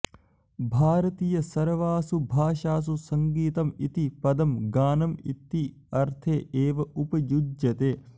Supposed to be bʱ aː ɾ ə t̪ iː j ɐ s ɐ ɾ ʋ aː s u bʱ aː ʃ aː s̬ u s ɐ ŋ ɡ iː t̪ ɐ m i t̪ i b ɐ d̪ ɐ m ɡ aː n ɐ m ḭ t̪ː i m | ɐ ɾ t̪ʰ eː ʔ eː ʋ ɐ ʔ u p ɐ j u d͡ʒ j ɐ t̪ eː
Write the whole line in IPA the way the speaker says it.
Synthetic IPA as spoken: bʱ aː ɾ ɐ t̪ iː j ɐ s ɐ ɾ ʋ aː s u bʱ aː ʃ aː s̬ u s ɐ ŋ ɡ iː t̪ ɐ m i t̪ i p ɐ d̪ ɐ m ɡ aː n ɐ m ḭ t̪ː i | ɐ ɾ t̪ʰ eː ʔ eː ʋ ɐ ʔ u p ɐ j u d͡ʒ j ɐ t̪ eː